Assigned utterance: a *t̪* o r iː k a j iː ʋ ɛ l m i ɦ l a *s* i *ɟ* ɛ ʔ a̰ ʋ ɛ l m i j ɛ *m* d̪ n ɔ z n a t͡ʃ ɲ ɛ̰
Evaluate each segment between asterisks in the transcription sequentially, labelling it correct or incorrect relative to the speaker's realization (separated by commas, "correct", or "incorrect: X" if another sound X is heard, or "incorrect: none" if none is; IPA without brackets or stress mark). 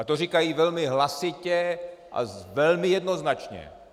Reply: correct, correct, incorrect: c, incorrect: none